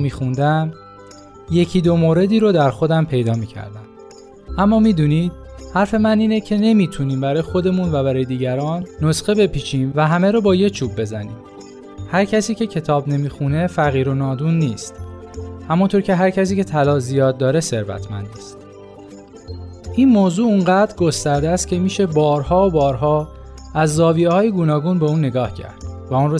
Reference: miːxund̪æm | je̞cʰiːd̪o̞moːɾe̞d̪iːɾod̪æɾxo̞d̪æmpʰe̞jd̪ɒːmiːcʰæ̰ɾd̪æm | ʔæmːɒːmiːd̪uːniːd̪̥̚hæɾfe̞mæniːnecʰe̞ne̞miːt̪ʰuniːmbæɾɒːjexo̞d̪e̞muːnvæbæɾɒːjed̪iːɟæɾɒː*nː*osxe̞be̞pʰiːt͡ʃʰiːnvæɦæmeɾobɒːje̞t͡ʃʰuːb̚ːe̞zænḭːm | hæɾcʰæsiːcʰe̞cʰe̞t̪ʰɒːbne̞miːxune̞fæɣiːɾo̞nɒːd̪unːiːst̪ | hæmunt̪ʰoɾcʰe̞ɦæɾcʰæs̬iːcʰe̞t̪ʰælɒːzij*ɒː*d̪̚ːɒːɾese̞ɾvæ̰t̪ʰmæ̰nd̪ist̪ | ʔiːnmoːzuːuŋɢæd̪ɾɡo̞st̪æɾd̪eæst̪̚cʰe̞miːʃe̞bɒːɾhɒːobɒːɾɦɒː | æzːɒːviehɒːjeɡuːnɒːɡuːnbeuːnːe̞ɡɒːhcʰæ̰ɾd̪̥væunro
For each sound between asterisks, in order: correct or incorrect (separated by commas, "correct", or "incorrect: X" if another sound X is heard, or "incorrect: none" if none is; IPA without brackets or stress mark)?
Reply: correct, correct